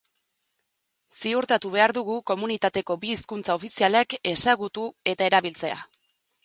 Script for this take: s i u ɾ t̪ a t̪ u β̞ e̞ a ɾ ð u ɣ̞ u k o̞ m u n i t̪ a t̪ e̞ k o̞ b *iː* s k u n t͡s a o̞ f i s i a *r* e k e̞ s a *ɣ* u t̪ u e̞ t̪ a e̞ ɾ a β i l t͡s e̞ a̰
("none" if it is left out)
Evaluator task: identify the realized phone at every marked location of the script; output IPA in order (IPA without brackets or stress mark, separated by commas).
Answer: iː, l, ɣ